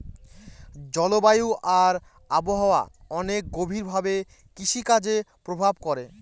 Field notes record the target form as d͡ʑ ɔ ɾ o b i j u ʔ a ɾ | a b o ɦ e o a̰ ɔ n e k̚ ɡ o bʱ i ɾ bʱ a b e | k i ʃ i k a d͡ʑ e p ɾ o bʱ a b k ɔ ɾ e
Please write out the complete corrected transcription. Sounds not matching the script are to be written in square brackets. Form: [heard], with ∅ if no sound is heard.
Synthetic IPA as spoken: d͡ʑ ɔ [l] o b [a] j u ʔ a ɾ | a b o ɦ [a] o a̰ ɔ n e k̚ ɡ o bʱ i ɾ bʱ a b e | k i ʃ i k a d͡ʑ e p ɾ o bʱ a b k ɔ ɾ e

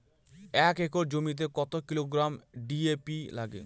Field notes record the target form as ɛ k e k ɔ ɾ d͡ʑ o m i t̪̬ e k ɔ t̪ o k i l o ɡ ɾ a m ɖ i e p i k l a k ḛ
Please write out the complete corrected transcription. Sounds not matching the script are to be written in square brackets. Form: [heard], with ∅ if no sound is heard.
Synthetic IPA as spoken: ɛ k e k [o] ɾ d͡ʑ o m i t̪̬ e k ɔ t̪ o k i l o ɡ ɾ a m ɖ i e p i [∅] l a [ɡ] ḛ

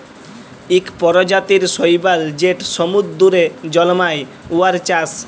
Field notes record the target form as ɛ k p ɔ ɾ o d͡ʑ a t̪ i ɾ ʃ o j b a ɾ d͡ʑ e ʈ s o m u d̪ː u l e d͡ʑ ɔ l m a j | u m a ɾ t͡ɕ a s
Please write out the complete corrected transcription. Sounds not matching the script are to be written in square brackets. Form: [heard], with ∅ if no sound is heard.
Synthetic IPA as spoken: [i] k p ɔ ɾ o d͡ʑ a t̪ i ɾ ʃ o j b a [l] d͡ʑ e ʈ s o m u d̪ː u [ɾ] e d͡ʑ ɔ l m a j | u [∅] a ɾ t͡ɕ a s

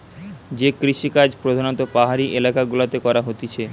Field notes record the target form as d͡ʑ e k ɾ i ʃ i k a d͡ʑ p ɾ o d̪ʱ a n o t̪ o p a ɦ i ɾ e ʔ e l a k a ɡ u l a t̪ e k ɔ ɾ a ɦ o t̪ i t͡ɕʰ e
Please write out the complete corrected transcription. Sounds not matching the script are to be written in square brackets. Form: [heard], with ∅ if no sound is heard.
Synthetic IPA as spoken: d͡ʑ e k ɾ i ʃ i k a d͡ʑ p ɾ o d̪ʱ a n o t̪ o p a ɦ [a] ɾ [i] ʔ e l a k a ɡ u l a t̪ e k ɔ ɾ a ɦ o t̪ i t͡ɕʰ e

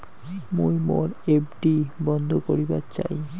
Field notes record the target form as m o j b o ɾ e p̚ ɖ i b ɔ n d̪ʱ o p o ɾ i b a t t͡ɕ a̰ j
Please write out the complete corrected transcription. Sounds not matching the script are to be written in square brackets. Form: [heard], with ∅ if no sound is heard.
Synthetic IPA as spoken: m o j [m] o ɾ e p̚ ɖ i b ɔ n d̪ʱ o [k] o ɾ i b a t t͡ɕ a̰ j

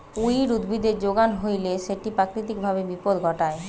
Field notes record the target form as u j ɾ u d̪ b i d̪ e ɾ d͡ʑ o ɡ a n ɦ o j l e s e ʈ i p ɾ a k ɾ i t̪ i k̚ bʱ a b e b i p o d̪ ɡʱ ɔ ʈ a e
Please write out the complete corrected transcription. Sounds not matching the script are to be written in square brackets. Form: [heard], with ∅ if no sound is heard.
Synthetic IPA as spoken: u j ɾ u d̪ b i d̪ e ɾ d͡ʑ o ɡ a n ɦ o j l e [ʃ] e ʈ i p ɾ a k ɾ i t̪ i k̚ bʱ a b e b i p o d̪ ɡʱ ɔ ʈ a e

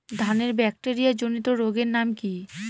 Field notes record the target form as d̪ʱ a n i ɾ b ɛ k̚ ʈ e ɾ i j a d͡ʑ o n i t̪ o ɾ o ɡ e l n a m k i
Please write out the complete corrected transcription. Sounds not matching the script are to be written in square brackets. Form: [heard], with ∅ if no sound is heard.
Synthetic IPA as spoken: d̪ʱ a n [e] ɾ b ɛ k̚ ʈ e ɾ i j a d͡ʑ o n i t̪ o ɾ o ɡ e [ɾ] n a m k i

